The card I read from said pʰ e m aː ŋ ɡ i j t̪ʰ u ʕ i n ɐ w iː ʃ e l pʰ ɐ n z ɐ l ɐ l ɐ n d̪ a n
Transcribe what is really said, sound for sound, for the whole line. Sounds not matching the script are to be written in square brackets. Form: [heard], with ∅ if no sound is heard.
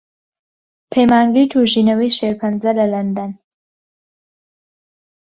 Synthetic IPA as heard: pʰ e m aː ŋ ɡ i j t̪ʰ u [ʒ] i n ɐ w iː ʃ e [ɾ] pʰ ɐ n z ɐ l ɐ l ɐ n d̪ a n